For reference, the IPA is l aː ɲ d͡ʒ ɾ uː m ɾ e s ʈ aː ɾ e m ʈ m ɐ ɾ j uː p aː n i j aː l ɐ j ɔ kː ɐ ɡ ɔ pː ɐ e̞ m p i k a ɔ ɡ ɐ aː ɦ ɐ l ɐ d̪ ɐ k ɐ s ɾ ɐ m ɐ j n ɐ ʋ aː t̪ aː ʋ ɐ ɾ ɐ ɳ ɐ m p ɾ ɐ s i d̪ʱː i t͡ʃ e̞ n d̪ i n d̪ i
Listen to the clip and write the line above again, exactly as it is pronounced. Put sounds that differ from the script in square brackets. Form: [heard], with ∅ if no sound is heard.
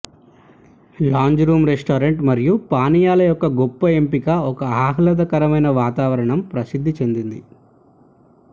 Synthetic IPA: l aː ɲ d͡ʒ ɾ uː m ɾ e s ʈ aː ɾ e [ɳ] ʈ m ɐ ɾ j [u] p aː n i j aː l ɐ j ɔ kː ɐ ɡ ɔ pː ɐ e̞ m p i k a ɔ [k] ɐ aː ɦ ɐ l ɐ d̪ ɐ k ɐ [∅] ɾ ɐ m ɐ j n ɐ ʋ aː t̪ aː ʋ ɐ ɾ ɐ ɳ ɐ m p ɾ ɐ s i d̪ʱː i t͡ʃ e̞ n d̪ i n d̪ i